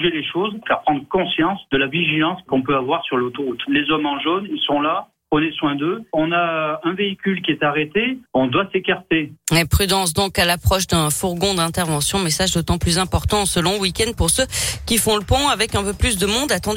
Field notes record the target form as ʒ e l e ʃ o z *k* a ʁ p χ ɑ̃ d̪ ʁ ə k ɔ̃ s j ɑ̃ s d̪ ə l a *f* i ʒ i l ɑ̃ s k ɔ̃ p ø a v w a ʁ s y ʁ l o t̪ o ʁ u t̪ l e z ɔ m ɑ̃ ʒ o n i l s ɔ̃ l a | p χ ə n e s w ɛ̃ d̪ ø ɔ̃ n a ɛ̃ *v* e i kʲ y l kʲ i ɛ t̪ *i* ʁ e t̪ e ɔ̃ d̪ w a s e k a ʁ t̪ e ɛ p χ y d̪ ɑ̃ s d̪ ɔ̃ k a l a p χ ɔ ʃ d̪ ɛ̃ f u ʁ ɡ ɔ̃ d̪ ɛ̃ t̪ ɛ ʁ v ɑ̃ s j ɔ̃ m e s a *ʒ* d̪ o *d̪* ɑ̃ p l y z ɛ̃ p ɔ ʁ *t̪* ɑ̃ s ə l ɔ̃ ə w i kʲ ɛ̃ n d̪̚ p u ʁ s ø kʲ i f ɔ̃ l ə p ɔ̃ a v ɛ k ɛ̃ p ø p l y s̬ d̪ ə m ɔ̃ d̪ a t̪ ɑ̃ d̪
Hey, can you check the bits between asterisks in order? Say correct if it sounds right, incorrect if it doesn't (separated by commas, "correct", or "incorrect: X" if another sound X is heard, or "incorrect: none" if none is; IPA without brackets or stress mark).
correct, incorrect: v, correct, incorrect: a, correct, incorrect: t̪, correct